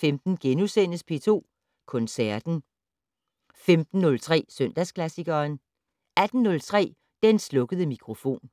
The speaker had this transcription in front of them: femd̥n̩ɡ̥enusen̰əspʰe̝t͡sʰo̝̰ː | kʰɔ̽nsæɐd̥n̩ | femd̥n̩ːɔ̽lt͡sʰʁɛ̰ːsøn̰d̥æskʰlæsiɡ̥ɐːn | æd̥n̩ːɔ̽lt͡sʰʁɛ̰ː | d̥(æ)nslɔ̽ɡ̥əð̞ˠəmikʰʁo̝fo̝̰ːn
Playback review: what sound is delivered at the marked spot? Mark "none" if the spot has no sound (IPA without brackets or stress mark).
e